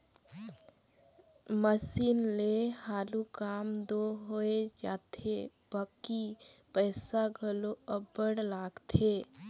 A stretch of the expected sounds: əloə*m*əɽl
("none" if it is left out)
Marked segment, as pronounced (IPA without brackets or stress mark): b